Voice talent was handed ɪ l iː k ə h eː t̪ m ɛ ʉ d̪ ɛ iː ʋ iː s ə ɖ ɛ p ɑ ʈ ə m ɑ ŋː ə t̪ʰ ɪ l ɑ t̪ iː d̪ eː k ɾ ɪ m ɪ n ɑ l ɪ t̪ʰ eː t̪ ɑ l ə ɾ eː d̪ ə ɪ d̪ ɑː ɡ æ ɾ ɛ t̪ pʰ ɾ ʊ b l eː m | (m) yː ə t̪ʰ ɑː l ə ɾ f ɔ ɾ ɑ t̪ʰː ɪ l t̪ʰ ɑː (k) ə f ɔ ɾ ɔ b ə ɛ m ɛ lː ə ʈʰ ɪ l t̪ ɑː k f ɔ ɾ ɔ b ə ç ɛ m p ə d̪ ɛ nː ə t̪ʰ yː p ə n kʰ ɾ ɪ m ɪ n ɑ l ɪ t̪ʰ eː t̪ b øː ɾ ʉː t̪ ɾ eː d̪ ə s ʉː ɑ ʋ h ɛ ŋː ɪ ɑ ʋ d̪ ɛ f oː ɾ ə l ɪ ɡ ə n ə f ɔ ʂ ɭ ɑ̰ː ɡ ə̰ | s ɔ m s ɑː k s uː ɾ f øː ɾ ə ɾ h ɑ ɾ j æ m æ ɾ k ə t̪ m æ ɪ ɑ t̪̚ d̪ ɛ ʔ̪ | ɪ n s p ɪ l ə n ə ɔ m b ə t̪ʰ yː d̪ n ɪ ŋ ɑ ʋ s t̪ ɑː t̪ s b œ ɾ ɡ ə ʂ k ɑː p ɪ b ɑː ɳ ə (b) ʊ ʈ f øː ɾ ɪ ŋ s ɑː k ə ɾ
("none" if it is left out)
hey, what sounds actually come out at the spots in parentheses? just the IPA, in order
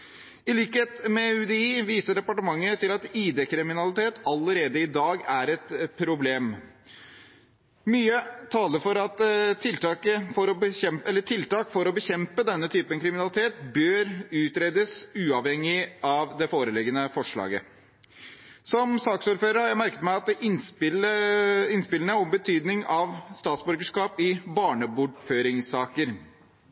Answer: m, k, b

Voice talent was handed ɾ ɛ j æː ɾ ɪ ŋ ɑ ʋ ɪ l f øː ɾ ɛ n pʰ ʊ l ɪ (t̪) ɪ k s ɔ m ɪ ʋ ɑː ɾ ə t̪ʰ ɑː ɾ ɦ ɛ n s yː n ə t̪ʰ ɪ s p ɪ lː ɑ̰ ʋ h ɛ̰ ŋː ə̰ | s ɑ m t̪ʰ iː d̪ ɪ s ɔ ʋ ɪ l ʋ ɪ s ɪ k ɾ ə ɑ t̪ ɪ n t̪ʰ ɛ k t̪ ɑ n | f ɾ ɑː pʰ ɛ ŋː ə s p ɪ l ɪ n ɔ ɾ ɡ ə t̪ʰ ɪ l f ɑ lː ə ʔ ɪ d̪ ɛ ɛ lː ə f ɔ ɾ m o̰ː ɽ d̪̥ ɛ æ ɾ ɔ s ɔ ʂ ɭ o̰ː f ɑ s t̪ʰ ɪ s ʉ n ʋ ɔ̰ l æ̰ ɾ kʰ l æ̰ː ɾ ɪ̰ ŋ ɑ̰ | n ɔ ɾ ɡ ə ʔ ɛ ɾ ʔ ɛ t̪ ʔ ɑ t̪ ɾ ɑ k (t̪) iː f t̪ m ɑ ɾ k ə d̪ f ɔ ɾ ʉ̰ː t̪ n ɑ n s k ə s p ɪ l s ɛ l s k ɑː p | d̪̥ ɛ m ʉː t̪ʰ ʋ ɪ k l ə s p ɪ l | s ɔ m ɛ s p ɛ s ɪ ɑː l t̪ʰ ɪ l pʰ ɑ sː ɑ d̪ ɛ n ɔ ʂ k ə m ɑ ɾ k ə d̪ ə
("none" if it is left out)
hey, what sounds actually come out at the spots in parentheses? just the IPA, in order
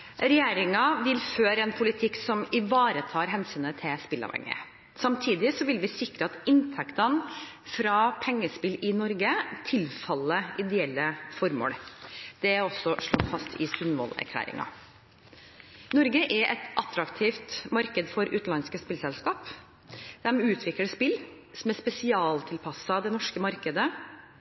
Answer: t̪ʰ, t̪ʰ

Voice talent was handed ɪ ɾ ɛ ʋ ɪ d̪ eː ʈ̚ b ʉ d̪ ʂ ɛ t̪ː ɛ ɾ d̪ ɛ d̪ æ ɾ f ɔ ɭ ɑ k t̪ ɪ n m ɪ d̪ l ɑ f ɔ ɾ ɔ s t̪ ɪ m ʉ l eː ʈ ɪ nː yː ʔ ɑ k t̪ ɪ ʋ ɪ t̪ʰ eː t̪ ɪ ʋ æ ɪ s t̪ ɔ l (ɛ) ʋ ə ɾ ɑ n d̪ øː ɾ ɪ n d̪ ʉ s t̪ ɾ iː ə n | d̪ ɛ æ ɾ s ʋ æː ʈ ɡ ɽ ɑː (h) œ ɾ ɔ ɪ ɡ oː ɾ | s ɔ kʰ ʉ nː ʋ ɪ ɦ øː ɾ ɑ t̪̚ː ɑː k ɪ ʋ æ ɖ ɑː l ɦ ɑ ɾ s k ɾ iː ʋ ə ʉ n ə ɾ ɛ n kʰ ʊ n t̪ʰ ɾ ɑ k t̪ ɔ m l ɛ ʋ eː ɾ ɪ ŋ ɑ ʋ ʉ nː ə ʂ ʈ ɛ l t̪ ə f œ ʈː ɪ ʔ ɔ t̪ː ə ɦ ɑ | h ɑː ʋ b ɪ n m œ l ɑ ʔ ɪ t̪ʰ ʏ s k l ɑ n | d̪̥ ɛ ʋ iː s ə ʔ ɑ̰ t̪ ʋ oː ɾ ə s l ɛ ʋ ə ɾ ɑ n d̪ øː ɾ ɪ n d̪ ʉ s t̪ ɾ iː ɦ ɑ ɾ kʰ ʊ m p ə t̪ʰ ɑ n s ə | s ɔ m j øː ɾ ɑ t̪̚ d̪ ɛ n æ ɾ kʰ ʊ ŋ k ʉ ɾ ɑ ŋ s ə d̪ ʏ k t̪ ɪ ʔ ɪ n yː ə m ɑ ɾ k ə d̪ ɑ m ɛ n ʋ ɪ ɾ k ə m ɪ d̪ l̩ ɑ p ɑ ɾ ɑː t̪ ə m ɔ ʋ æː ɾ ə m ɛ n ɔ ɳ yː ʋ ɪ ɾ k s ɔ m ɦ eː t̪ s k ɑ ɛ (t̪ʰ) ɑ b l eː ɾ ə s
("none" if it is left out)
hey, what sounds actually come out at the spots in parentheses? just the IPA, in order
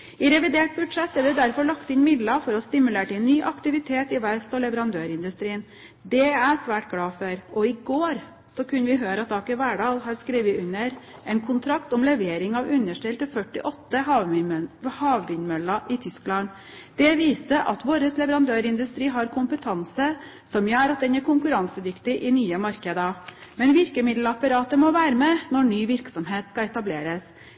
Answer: ɛ, f, t̪

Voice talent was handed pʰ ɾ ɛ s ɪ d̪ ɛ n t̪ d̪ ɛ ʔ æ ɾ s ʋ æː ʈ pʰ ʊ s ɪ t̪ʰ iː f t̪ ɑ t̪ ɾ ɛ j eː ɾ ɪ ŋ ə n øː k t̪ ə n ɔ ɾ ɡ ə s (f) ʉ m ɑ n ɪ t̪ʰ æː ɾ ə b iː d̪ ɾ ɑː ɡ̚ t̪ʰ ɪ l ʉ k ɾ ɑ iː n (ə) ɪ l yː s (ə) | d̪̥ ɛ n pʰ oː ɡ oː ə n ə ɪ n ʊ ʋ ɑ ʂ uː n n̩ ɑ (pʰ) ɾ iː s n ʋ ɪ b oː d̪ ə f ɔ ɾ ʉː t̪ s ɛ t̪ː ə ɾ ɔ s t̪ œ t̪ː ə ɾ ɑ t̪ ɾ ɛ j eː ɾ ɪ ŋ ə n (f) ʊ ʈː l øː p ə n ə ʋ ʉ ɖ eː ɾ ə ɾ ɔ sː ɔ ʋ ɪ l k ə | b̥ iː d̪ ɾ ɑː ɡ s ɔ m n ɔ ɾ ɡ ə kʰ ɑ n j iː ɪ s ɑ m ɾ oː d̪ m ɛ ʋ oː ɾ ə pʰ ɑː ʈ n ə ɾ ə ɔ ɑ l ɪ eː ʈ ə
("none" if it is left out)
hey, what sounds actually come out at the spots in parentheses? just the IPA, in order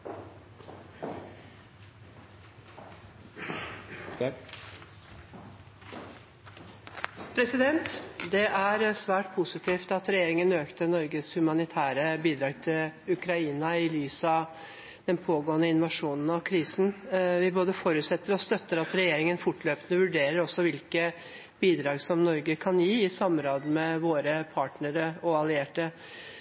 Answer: h, ɑ, ɑ, kʰ, f

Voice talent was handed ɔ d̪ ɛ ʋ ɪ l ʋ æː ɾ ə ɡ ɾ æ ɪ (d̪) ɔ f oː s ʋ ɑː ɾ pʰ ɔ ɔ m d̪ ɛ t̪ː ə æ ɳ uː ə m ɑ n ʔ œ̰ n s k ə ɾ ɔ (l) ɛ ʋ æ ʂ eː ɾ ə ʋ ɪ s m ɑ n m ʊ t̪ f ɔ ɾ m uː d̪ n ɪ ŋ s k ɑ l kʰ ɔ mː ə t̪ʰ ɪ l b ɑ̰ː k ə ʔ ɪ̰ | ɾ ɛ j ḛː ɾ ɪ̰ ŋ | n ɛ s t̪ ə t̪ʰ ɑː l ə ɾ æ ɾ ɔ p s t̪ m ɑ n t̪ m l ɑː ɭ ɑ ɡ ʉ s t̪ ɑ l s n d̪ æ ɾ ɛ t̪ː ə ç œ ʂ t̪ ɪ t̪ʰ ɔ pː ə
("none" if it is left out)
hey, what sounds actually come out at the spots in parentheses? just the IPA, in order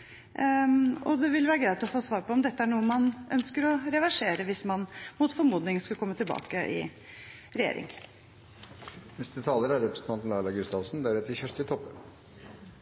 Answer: t̪, ɾ

